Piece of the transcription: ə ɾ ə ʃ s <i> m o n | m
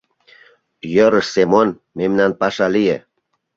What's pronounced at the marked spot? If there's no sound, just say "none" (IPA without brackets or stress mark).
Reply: e